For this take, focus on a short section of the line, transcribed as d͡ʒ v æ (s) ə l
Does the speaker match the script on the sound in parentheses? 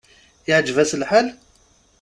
yes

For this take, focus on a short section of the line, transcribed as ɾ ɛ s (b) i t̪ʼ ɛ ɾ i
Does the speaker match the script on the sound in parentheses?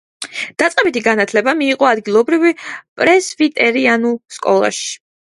no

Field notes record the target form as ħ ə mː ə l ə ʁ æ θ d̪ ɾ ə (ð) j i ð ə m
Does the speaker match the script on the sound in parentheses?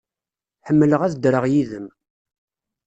no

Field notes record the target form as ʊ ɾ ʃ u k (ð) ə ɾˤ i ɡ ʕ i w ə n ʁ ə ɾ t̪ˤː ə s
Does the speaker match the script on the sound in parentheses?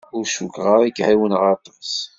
no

